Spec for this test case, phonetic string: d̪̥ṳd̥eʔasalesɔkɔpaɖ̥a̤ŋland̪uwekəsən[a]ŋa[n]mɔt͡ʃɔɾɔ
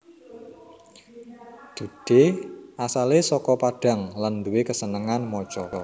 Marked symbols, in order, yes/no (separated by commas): no, yes